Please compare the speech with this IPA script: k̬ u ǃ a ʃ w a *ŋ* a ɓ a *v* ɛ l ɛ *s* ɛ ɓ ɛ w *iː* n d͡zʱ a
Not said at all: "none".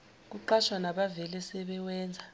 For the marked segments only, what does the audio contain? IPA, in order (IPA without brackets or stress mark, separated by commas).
n, v, s, ɛː